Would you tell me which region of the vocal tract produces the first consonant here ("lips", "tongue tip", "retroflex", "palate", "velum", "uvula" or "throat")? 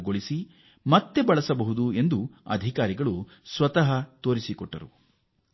velum